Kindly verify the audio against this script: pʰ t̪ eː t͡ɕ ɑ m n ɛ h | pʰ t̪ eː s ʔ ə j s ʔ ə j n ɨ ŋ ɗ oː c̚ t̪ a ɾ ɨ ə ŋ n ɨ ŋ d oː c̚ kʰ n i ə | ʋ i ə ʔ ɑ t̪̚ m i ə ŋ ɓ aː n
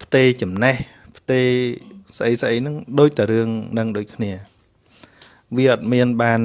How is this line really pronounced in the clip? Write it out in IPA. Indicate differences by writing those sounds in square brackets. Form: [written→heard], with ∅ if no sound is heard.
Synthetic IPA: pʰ t̪ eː t͡ɕ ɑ m n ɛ h | pʰ t̪ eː s ʔ ə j s ʔ ə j n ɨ ŋ ɗ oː c̚ t̪ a ɾ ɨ ə ŋ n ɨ ŋ [d→ɗ] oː c̚ kʰ n i ə | ʋ i ə ʔ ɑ t̪̚ m i ə [ŋ→n] ɓ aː n